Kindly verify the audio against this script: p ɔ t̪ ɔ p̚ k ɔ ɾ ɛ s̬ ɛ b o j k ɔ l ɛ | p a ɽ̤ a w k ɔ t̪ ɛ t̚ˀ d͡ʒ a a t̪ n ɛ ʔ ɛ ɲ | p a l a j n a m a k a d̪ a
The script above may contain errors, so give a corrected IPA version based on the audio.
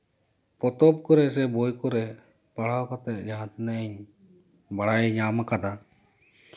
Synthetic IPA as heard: p ɔ t̪ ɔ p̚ k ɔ ɾ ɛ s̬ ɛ b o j k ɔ ɾ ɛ | p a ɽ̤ a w k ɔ t̪ ɛ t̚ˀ d͡ʒ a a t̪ n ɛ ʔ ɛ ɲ | b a ɽ a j ɲ a m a k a d̪ a